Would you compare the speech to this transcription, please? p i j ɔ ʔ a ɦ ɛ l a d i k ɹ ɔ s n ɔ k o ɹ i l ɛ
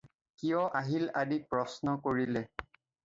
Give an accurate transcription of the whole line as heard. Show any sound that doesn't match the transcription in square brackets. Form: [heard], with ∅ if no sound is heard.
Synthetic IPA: [k] i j ɔ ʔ a ɦ [i] l a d i [p] ɹ ɔ s n ɔ k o ɹ i l ɛ